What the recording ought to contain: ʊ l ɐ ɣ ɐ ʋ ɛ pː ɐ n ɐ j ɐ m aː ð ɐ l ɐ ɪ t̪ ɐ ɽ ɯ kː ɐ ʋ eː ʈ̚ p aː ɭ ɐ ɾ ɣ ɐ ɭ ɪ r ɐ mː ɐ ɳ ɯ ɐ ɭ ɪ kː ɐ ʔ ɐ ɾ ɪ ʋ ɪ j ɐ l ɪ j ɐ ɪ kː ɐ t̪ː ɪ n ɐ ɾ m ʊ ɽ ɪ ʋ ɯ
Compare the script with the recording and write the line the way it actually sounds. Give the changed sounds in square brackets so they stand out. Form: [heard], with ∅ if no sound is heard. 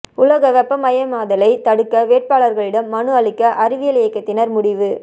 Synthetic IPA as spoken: ʊ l ɐ ɣ ɐ ʋ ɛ pː ɐ [m] ɐ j ɐ m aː ð ɐ l ɐ ɪ t̪ ɐ ɽ ɯ kː ɐ ʋ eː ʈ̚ p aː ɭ ɐ ɾ ɣ ɐ ɭ ɪ [ɽ] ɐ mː ɐ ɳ ɯ ɐ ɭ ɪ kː ɐ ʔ ɐ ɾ ɪ ʋ ɪ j ɐ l ɪ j ɐ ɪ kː ɐ t̪ː ɪ n ɐ ɾ m ʊ ɽ ɪ ʋ ɯ